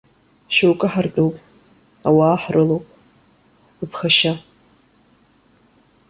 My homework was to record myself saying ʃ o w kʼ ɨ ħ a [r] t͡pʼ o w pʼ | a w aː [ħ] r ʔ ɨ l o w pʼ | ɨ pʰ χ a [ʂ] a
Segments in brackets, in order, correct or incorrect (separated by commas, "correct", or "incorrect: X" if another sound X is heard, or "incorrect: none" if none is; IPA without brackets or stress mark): correct, correct, incorrect: ʃ